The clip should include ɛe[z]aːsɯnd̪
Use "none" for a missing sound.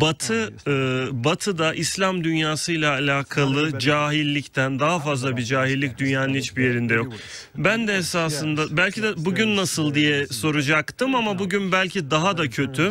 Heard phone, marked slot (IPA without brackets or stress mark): s